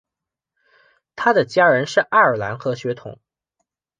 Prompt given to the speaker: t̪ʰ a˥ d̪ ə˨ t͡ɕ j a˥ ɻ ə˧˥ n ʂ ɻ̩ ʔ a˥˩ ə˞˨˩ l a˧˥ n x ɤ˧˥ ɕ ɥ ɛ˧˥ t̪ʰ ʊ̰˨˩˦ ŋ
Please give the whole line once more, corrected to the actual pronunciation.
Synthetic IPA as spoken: t̪ʰ a˥ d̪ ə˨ t͡ɕ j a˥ ɻ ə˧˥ n ʂ ɻ̩ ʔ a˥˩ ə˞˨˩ l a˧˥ n x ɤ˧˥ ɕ ɥ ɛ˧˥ t̪ʰ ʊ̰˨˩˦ ŋ

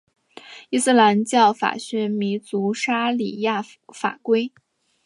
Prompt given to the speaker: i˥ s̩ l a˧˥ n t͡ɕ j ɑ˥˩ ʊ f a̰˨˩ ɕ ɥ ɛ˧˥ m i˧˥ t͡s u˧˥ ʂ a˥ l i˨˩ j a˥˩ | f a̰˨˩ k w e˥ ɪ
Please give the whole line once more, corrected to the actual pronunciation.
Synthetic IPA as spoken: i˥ s̩ l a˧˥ n t͡ɕ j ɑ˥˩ ʊ f a̰˨˩ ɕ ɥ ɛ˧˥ m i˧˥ t͡s u˧˥ ʂ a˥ l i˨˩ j a˥˩ | f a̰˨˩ k w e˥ ɪ

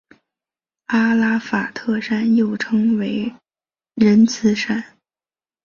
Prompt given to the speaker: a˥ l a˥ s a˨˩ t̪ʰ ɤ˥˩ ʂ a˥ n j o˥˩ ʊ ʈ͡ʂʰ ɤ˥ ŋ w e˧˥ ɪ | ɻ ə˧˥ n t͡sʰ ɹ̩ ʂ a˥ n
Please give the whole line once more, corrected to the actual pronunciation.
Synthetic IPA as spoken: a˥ l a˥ f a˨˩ t̪ʰ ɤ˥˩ ʂ a˥ n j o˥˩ ʊ ʈ͡ʂʰ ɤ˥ ŋ w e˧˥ ɪ | ɻ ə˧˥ n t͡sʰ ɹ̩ ʂ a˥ n

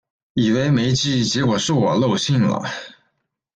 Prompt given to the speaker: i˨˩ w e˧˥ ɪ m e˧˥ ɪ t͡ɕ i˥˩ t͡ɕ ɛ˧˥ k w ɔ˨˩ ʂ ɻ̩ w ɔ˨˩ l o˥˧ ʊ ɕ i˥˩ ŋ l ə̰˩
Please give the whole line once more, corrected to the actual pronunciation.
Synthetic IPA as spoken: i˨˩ w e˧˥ ɪ m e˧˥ ɪ t͡ɕ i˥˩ t͡ɕ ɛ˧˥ k w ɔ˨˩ ʂ ɻ̩ w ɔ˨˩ l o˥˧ ʊ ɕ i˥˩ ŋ l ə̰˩

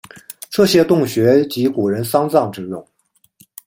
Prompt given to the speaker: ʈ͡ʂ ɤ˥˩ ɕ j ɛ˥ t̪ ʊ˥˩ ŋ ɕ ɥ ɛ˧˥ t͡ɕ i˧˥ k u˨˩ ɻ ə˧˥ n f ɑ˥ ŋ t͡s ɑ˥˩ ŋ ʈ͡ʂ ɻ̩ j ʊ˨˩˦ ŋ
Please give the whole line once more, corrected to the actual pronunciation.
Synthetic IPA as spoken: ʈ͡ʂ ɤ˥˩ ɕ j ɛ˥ t̪ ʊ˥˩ ŋ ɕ ɥ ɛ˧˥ t͡ɕ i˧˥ k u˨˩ ɻ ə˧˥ n s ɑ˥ ŋ t͡s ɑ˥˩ ŋ ʈ͡ʂ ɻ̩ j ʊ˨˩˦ ŋ

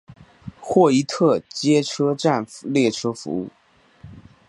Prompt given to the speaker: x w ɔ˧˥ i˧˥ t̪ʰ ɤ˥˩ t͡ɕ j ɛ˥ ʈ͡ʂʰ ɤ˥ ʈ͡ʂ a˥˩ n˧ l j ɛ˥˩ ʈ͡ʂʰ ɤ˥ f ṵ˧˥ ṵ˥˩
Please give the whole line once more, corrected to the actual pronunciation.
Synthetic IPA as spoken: x w ɔ˥˩ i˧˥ t̪ʰ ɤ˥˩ t͡ɕ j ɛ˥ ʈ͡ʂʰ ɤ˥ ʈ͡ʂ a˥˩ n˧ l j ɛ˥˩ ʈ͡ʂʰ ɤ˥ f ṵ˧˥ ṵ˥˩

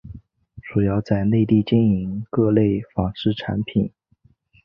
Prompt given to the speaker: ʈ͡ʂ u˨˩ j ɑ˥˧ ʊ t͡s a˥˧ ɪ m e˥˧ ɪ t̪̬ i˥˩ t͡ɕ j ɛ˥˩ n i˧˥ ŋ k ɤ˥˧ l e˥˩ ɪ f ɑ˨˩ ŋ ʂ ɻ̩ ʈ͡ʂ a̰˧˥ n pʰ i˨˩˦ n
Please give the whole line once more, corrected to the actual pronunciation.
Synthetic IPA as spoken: ʈ͡ʂ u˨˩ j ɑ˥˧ ʊ t͡s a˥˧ ɪ n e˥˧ ɪ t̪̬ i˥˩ t͡ɕ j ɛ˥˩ n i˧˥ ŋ k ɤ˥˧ l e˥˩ ɪ f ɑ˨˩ ŋ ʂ ɻ̩ ʈ͡ʂʰ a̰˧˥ n pʰ i˨˩˦ n

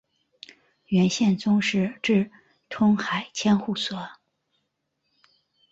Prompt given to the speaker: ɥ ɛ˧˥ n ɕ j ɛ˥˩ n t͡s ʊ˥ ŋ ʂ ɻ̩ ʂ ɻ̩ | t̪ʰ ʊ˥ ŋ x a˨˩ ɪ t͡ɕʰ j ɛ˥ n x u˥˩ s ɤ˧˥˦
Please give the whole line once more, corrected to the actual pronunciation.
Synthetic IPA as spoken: ɥ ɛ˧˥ n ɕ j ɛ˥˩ n t͡s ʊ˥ ŋ ʂ ɻ̩ ʈ͡ʂ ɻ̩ | t̪ʰ ʊ˥ ŋ x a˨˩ ɪ t͡ɕʰ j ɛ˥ n x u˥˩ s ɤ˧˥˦

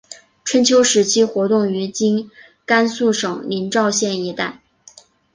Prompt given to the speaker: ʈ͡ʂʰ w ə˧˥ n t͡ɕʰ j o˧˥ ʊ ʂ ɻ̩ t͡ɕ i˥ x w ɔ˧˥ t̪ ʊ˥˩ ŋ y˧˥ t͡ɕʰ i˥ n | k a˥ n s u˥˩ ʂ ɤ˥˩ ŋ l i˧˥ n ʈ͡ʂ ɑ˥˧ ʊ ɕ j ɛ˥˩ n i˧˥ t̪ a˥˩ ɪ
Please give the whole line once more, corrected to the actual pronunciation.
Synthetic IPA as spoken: ʈ͡ʂʰ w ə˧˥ n t͡ɕʰ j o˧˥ ʊ ʂ ɻ̩ t͡ɕʰ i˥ x w ɔ˧˥ t̪ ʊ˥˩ ŋ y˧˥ t͡ɕ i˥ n | k a˥ n s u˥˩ ʂ ɤ˨˩ ŋ l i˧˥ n ʈ͡ʂ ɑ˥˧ ʊ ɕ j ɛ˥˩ n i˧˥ t̪ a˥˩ ɪ

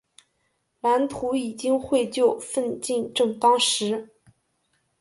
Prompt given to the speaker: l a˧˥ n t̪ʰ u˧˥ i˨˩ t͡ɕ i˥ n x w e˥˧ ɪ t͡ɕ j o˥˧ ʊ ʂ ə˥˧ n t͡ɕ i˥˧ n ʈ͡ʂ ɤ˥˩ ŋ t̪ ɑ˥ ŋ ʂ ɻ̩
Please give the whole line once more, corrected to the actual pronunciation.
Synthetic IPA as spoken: l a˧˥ n t̪ʰ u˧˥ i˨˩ t͡ɕ i˥ ŋ x w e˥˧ ɪ t͡ɕ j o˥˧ ʊ f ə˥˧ n t͡ɕ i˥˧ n ʈ͡ʂ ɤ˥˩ ŋ t̪ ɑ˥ ŋ ʂ ɻ̩

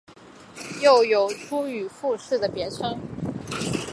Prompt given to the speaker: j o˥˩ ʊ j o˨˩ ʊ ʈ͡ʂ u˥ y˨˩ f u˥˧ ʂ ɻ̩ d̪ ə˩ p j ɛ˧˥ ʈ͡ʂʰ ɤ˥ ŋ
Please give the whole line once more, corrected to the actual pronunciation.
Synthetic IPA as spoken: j o˥˩ ʊ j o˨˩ ʊ ʈ͡ʂʰ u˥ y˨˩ f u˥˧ ʂ ɻ̩ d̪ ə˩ p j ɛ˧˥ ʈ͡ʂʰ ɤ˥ ŋ

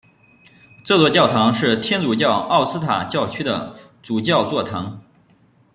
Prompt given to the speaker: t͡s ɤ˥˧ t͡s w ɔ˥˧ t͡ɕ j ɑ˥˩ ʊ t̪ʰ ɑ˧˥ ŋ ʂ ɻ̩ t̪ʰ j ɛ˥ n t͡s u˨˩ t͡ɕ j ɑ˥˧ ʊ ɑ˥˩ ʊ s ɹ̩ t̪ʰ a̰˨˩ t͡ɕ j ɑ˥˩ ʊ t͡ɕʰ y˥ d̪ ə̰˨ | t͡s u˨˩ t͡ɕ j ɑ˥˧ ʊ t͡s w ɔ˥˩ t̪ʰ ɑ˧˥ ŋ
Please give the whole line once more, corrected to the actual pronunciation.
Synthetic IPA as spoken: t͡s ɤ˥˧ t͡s w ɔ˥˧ t͡ɕ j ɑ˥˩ ʊ t̪ʰ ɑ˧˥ ŋ ʂ ɻ̩ t̪ʰ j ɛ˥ n t͡s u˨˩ t͡ɕ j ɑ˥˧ ʊ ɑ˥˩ ʊ s ɹ̩ t̪ʰ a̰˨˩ t͡ɕ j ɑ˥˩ ʊ t͡ɕʰ y˥ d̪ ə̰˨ | t͡s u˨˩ t͡ɕ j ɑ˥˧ ʊ t͡s w ɔ˥˩ t̪ʰ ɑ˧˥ ŋ

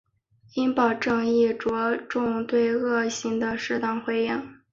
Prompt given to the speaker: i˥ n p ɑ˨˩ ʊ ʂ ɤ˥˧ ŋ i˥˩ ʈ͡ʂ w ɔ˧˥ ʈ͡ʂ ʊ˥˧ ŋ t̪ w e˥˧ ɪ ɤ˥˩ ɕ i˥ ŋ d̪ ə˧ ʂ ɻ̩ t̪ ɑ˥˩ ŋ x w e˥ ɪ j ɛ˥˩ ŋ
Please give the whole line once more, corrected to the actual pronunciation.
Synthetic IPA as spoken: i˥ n p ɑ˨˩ ʊ ʈ͡ʂ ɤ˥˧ ŋ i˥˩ ʈ͡ʂ w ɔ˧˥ ʈ͡ʂ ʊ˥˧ ŋ t̪ w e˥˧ ɪ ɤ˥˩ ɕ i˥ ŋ d̪ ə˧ ʂ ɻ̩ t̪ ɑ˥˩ ŋ x w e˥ ɪ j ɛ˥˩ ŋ

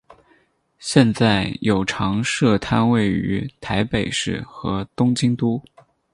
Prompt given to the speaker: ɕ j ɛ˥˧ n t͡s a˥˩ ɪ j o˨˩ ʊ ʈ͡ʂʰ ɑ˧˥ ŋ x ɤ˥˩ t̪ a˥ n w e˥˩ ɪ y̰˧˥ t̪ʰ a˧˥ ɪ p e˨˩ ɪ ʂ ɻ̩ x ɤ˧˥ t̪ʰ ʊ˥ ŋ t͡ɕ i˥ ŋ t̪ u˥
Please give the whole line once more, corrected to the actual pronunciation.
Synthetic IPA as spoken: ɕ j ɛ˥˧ n t͡s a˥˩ ɪ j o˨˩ ʊ ʈ͡ʂʰ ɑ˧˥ ŋ ʂ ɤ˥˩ t̪ʰ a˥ n w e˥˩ ɪ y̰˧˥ t̪ʰ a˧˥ ɪ p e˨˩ ɪ ʂ ɻ̩ x ɤ˧˥ t̪ ʊ˥ ŋ t͡ɕ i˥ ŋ t̪ u˥

